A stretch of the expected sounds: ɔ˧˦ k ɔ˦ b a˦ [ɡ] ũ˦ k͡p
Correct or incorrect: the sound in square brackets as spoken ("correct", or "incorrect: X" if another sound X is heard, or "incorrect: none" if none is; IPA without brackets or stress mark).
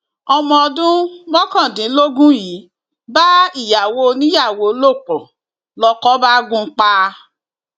correct